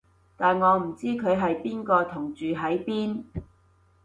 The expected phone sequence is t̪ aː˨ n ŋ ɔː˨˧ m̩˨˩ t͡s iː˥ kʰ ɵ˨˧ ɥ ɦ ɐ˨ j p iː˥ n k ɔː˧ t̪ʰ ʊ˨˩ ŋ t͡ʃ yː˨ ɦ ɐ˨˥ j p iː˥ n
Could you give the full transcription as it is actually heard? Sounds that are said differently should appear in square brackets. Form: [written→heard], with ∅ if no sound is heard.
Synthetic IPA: t̪ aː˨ n ŋ ɔː˨˧ m̩˨˩ t͡s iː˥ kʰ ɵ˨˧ ɥ ɦ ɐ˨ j p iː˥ n k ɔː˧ t̪ʰ ʊ˨˩ ŋ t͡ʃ yː˨ ɦ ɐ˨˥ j p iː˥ n